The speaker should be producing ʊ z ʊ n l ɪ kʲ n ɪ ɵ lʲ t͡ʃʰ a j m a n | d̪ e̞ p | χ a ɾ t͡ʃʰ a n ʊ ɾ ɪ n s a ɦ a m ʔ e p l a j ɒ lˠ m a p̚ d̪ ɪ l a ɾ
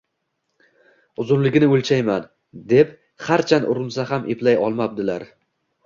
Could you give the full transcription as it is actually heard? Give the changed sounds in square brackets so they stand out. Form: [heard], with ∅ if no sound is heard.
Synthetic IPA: ʊ z ʊ n l ɪ [ɡʲ] n ɪ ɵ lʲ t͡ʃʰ a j m a n | d̪ e̞ p | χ a ɾ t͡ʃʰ a n ʊ ɾ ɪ n s a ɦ a m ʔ e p l a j ɒ lˠ m a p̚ d̪ ɪ l a ɾ